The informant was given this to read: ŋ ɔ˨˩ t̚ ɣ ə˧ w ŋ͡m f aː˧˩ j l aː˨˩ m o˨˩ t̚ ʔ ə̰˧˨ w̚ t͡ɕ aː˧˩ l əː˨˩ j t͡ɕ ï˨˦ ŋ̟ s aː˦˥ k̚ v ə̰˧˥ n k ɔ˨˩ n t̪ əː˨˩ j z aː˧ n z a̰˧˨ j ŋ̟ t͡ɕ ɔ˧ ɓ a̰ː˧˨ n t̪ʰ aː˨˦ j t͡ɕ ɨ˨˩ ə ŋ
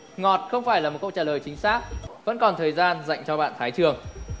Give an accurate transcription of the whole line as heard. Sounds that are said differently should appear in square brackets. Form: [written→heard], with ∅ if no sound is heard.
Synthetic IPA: ŋ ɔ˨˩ t̚ [ɣ→x] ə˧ w ŋ͡m f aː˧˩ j l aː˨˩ m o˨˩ t̚ [ʔ→k] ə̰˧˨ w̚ t͡ɕ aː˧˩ l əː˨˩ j t͡ɕ ï˨˦ ŋ̟ s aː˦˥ k̚ v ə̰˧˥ n k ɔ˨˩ n [t̪→t̪ʰ] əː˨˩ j z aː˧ n z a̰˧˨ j ŋ̟ t͡ɕ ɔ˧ ɓ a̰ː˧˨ n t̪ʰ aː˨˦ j t͡ɕ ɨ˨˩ ə ŋ

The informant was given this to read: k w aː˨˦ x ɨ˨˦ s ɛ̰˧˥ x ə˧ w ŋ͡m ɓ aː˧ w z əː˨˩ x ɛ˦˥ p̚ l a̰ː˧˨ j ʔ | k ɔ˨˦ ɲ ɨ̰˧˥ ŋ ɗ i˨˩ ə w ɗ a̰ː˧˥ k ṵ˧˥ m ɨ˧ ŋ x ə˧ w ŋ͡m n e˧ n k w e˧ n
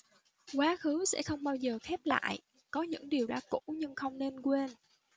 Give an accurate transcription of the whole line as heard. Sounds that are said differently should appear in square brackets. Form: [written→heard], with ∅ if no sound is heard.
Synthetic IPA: k w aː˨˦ x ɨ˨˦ s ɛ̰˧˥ x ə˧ w ŋ͡m ɓ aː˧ w z əː˨˩ x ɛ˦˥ p̚ l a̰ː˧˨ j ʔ | k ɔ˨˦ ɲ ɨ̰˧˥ ŋ ɗ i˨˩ ə w ɗ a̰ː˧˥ k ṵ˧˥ [m→ɲ] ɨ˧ ŋ x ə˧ w ŋ͡m n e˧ n k w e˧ n

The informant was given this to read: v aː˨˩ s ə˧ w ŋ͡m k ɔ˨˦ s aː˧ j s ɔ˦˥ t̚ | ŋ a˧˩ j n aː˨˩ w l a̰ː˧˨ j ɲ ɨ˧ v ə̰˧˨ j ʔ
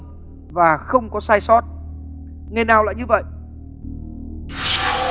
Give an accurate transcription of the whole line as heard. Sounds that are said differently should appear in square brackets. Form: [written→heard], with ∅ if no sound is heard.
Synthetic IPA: v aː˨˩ [s→x] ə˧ w ŋ͡m k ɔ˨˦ s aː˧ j s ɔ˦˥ t̚ | ŋ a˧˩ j n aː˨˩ w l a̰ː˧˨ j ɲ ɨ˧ v ə̰˧˨ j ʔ

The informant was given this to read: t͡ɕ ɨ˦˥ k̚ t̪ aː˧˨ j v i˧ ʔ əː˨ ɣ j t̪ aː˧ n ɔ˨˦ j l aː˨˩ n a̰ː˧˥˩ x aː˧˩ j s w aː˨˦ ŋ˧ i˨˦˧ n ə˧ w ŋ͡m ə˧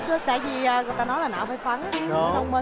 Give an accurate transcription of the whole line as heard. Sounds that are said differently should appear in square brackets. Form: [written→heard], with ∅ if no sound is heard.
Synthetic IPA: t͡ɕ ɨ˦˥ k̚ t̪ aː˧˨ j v [i˧→i˨˩] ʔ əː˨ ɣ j t̪ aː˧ n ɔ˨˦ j l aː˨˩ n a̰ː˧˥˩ [x→f] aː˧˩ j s w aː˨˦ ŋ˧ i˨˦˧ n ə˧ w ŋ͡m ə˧

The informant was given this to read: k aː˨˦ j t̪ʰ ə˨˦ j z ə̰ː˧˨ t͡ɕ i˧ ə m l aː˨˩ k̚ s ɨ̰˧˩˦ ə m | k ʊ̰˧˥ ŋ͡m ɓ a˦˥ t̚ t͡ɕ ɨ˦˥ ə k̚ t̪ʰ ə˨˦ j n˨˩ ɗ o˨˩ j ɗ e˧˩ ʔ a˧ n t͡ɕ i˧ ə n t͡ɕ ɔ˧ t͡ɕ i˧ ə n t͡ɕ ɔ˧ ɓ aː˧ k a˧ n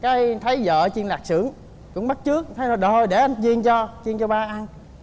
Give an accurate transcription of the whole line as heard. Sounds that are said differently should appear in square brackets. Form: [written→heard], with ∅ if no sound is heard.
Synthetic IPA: k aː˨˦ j t̪ʰ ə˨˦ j z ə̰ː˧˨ t͡ɕ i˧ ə [m→n] l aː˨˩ k̚ s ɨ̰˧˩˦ ə [m→ŋ] | k ʊ̰˧˥ ŋ͡m ɓ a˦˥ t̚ t͡ɕ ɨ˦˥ ə k̚ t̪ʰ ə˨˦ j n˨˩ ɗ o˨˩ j ɗ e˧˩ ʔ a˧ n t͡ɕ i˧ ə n t͡ɕ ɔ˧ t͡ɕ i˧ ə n t͡ɕ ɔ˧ ɓ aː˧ [k→ʔ] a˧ n

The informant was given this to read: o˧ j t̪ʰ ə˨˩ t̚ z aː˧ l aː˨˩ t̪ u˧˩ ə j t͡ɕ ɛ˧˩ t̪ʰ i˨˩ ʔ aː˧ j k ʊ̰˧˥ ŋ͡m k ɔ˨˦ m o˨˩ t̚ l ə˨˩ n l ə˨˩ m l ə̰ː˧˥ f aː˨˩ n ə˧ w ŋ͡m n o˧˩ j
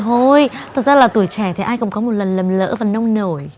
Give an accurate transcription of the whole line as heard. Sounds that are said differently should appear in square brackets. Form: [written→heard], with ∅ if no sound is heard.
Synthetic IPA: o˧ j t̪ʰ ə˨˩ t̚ z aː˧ l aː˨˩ t̪ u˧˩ ə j t͡ɕ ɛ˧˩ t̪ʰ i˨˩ ʔ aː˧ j k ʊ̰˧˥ ŋ͡m k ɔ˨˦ m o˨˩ t̚ l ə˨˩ n l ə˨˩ m l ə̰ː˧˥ [f→v] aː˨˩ n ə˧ w ŋ͡m n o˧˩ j

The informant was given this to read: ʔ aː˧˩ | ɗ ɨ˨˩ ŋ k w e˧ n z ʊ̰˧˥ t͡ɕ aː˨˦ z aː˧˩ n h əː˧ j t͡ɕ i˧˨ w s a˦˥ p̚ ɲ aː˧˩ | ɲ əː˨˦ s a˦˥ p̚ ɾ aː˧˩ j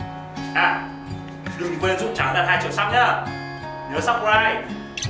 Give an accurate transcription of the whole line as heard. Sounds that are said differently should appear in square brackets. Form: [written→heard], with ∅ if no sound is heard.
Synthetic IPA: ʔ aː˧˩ | ɗ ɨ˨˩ ŋ k w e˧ n z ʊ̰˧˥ t͡ɕ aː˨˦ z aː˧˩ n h [əː˧→aː˧] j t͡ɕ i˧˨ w s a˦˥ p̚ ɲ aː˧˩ | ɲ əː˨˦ s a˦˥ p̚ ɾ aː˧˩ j

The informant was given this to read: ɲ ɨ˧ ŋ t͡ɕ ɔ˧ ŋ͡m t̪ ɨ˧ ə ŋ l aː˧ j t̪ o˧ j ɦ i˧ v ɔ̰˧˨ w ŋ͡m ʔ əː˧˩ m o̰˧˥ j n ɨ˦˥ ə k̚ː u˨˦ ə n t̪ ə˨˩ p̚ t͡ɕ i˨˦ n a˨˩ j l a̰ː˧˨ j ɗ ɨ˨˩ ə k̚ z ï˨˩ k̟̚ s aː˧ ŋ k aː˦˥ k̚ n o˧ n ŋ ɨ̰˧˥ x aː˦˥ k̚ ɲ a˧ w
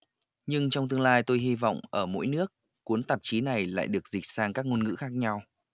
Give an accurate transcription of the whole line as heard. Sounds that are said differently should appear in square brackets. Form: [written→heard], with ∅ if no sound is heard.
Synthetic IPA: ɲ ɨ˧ ŋ t͡ɕ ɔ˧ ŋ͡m t̪ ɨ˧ ə ŋ l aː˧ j t̪ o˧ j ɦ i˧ v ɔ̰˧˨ w ŋ͡m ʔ əː˧˩ m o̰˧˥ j n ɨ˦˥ ə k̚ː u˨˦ ə n t̪ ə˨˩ p̚ t͡ɕ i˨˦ n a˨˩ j l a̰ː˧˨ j ɗ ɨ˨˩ ə k̚ z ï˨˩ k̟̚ s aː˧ ŋ k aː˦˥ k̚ [n→ŋ] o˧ n ŋ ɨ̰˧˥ x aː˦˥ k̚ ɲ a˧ w

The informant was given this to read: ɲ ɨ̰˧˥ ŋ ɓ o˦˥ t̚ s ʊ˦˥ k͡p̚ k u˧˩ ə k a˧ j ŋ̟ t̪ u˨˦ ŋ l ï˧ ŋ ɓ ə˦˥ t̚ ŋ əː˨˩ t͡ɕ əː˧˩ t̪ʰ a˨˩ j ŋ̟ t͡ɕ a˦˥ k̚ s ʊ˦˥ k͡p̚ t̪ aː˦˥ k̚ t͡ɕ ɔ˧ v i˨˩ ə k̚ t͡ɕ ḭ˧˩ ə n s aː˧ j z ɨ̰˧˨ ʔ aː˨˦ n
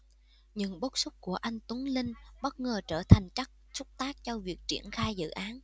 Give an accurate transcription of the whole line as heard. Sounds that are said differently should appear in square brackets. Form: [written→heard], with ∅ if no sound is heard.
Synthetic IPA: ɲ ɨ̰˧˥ ŋ ɓ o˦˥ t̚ s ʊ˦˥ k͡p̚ k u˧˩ ə [k→ʔ] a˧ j ŋ̟ t̪ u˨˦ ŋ l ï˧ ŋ ɓ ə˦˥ t̚ ŋ əː˨˩ t͡ɕ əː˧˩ t̪ʰ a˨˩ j ŋ̟ t͡ɕ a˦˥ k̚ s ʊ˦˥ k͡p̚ t̪ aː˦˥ k̚ t͡ɕ ɔ˧ v i˨˩ ə k̚ t͡ɕ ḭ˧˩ ə n [s→x] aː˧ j z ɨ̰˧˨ ʔ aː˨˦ n

